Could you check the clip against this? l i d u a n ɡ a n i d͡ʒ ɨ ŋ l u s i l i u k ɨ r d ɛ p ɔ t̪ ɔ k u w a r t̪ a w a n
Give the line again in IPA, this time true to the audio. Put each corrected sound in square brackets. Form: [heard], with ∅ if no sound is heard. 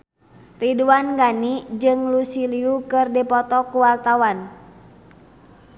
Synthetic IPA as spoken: [r] i d u a n ɡ a n i d͡ʒ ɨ ŋ l u s i l i u k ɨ r d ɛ p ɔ t̪ ɔ k u w a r t̪ a w a n